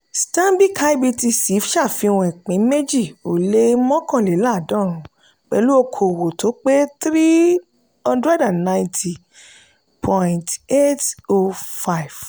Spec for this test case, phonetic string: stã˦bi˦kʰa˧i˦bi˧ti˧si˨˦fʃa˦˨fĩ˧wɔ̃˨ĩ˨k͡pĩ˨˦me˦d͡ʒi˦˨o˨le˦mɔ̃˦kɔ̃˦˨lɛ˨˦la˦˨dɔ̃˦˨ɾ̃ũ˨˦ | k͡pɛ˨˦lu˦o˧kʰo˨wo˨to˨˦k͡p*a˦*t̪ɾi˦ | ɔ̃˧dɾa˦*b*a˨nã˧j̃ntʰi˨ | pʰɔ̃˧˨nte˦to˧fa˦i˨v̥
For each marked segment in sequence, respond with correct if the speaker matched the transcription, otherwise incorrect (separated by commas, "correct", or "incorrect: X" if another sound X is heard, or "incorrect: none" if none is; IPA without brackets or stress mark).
incorrect: e˦, incorrect: d